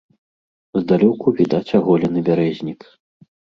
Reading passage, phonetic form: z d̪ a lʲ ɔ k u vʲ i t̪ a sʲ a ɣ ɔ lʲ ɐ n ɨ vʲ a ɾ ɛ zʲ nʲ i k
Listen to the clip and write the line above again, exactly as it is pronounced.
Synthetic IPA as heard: z d̪ a lʲ ɔ k u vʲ i d̪ a t͡sʲ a ɣ ɔ lʲ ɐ n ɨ bʲ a ɾ ɛ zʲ nʲ i k